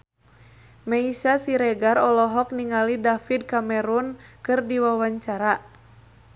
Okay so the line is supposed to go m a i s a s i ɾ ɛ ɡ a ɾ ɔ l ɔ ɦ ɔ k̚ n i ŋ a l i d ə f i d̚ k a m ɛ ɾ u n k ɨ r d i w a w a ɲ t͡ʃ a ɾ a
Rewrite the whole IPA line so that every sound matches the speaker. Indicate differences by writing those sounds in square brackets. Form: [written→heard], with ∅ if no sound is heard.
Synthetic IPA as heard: m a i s a s i ɾ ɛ ɡ a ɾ ɔ l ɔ ɦ ɔ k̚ n i ŋ a l i d [ə→a] f i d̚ k a m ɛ ɾ u n k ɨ r d i w a w a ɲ t͡ʃ a ɾ a